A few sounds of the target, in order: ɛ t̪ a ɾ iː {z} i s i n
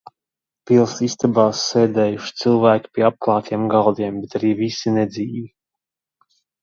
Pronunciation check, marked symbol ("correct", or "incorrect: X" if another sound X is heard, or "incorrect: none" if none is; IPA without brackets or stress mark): incorrect: v